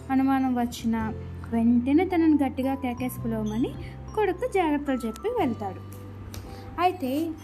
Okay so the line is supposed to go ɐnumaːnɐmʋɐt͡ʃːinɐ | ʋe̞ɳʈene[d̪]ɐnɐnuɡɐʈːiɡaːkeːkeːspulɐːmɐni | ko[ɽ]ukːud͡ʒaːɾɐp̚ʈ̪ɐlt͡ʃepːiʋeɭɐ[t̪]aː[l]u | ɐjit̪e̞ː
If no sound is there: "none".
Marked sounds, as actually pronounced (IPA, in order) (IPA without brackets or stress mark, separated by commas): t̪, ɽ, t̪, ɽ